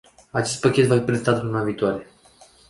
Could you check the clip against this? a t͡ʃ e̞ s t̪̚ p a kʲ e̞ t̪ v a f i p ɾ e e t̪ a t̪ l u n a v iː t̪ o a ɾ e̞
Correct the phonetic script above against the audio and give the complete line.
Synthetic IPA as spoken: a t͡ʃ e̞ s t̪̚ p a kʲ e̞ t̪ v a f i p ɾ e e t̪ a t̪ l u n a v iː t̪ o a ɾ e̞